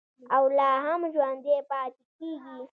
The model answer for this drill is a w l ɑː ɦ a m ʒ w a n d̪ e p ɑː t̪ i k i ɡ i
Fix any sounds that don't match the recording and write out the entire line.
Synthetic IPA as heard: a w l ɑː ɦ a m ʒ w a n d̪ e p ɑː t̪ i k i ɡ i